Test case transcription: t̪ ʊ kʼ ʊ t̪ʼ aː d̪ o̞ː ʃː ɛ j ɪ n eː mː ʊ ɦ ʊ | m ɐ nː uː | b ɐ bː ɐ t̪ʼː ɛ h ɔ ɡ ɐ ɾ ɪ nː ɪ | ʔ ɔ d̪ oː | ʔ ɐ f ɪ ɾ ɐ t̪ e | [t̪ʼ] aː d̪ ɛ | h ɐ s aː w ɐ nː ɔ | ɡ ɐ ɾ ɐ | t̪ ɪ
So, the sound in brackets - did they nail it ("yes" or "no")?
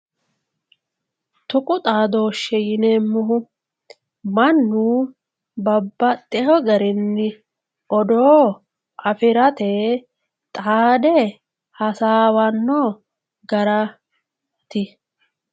yes